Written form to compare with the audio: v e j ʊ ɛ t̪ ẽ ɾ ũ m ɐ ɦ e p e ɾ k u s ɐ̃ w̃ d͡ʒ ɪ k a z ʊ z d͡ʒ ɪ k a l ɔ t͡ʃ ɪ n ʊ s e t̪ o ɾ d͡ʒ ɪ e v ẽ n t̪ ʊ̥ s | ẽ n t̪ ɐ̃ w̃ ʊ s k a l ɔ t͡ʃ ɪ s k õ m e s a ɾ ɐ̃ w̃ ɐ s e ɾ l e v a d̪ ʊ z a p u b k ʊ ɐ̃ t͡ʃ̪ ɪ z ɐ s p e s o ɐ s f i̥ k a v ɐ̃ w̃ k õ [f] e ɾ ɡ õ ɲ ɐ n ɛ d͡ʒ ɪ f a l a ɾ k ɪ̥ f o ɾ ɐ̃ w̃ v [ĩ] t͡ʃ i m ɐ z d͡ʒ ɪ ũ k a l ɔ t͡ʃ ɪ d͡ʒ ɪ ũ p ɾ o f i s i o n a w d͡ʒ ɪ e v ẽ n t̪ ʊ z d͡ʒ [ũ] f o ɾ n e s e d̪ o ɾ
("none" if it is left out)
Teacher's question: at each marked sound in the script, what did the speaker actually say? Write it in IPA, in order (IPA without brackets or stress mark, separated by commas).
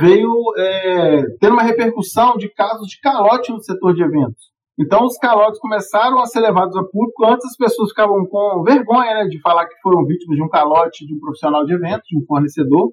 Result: v, i, ũ